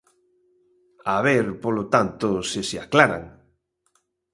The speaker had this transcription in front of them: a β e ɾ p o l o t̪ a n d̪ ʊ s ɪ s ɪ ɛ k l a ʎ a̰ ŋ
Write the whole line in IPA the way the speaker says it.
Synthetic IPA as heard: a β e ɾ p o l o t̪ a n t̪ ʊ s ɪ s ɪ a k l a ɾ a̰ ŋ

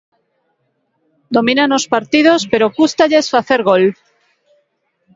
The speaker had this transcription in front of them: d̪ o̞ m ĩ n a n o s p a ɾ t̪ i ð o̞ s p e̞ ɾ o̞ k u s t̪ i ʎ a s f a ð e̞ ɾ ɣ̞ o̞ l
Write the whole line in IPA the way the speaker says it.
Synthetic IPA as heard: d̪ o̞ m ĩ n a n o s p a ɾ t̪ i ð o̞ s p e̞ ɾ o̞ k u s t̪ a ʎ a s f a θ e̞ ɾ ɣ̞ o̞ l

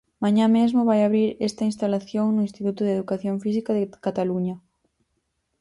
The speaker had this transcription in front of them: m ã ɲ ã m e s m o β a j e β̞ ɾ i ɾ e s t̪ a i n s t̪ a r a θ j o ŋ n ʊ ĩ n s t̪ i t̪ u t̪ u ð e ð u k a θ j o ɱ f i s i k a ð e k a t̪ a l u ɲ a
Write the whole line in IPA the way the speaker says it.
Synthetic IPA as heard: m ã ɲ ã m e z m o β a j a β̞ ɾ i ɾ e s t̪ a i n s t̪ a l a θ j o ŋ n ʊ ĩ n s t̪ i t̪ u t̪ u ð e ð u k a θ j o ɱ f i s i k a ð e k a t̪ a l u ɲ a

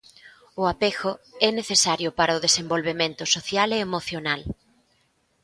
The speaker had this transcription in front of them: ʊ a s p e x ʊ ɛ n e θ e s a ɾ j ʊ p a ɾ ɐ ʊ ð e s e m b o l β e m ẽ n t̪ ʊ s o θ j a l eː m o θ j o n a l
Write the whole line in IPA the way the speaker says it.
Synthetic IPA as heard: ʊ a p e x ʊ ɛ n e θ e s a ɾ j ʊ p a ɾ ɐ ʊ ð e s e m b o l β e m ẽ n t̪ ʊ s o θ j a l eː m o θ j o n a l

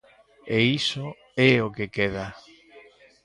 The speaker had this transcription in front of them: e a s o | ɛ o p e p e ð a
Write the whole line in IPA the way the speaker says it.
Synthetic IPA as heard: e i s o | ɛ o k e k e ð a

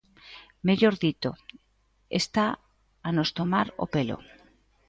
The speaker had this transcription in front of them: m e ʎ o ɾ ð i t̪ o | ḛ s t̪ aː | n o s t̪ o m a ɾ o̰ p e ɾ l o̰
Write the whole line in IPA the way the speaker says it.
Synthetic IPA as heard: m e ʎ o ɾ ð i t̪ o | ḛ s t̪ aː | n o s t̪ o m a ɾ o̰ p e l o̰

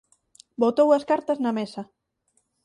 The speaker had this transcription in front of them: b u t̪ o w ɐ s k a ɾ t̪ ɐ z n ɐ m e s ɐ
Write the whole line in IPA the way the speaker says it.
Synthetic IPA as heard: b o t̪ o w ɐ s k a ɾ t̪ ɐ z n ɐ m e s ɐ

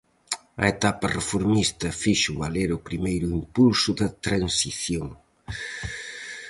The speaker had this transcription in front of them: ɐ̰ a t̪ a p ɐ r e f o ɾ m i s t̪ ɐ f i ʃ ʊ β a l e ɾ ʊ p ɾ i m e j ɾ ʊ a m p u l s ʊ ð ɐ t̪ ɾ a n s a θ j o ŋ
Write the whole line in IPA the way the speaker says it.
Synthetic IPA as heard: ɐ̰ e t̪ a p ɐ r e f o ɾ m i s t̪ ɐ f i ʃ ʊ β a l e ɾ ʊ p ɾ i m e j ɾ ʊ i m p u l s ʊ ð ɐ t̪ ɾ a n s i θ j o ŋ

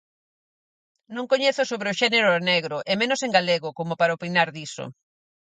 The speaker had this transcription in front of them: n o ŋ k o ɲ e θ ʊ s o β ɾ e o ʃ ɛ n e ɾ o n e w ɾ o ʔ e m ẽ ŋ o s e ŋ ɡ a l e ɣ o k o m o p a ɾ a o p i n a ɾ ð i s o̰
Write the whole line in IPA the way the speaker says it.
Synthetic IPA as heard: n õ ŋ k o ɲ e θ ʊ s o β ɾ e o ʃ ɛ n e ɾ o n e ɣ ɾ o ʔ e m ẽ n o s e ŋ ɡ a l e ɣ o k o m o p a ɾ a o p i n a ɾ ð i s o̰

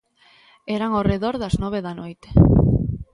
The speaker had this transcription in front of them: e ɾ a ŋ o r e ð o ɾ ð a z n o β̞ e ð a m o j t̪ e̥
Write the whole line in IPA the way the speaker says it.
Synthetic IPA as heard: e ɾ a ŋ o r e ð o ɾ ð a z n o β̞ e ð a n o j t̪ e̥

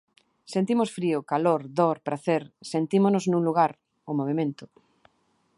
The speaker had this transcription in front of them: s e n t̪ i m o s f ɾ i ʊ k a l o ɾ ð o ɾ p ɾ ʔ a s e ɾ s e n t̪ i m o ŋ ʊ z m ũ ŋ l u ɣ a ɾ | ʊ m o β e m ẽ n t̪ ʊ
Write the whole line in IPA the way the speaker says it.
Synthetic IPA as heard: s e n t̪ i m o s f ɾ i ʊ k a l o ɾ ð o ɾ p ɾ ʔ a θ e ɾ s e n t̪ i m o n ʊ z n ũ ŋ l u ɣ a ɾ | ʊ m o β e m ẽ n t̪ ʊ

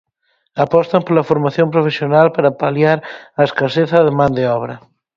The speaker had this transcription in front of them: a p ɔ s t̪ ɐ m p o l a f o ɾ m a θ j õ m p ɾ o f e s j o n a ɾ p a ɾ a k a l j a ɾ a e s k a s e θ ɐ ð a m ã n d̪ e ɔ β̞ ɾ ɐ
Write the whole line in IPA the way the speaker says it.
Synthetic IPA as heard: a p ɔ s t̪ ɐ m p o l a f o ɾ m a θ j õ m p ɾ o f e s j o n a l p a ɾ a p a l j a ɾ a e s k a s e θ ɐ ð e m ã n d̪ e ɔ β̞ ɾ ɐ

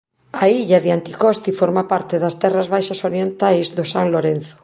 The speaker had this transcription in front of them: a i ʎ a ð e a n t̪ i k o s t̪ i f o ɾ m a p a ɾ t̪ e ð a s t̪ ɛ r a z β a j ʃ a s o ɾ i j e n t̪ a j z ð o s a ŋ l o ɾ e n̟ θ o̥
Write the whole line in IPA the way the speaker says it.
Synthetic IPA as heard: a i ʎ a ð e a n t̪ i k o s t̪ i f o ɾ m a p a ɾ t̪ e ð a s t̪ ɛ r a z β a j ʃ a s o ɾ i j e n t̪ a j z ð o s a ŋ l o ɾ e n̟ θ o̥

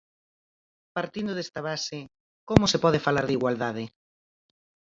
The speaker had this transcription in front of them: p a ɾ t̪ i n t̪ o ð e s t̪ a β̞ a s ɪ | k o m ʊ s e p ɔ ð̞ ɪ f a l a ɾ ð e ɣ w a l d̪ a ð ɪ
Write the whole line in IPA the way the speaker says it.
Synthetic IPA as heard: p a ɾ t̪ i n d̪ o ð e s t̪ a β̞ a s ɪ | k o m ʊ s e p ɔ ð̞ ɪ f a l a ɾ ð i ɣ w a l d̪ a ð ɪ

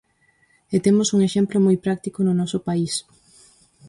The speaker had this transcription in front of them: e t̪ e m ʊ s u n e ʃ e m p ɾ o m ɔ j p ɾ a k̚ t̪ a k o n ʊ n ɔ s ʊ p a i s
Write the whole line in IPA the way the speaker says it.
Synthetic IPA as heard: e t̪ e m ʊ s u ŋ e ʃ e m p l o m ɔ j p ɾ a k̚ t̪ i k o n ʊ n ɔ s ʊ p a i s

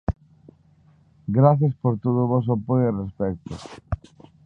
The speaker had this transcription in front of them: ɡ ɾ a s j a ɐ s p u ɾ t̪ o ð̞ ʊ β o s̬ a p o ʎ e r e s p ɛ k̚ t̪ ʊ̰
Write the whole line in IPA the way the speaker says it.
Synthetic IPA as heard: ɡ ɾ a θ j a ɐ s p o ɾ t̪ o ð̞ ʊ β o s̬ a p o j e r e s p ɛ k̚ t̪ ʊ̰

